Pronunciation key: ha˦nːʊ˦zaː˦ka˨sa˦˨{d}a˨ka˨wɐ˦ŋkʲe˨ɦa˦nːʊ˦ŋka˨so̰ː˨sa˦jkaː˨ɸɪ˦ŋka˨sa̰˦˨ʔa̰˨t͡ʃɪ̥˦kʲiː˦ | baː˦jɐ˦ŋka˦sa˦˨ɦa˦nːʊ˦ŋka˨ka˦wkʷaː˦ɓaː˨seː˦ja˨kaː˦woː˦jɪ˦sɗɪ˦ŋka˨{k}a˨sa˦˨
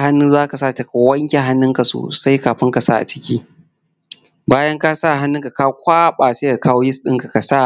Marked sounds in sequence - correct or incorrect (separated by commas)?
incorrect, correct